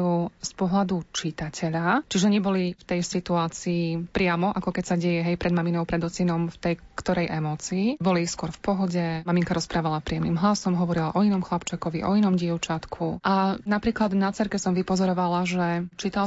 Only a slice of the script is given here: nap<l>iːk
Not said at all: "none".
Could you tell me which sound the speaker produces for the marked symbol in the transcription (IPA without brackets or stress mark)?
ɾ